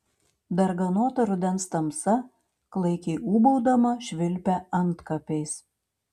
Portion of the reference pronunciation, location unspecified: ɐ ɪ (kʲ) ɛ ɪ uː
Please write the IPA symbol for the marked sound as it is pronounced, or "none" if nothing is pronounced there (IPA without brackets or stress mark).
kʲ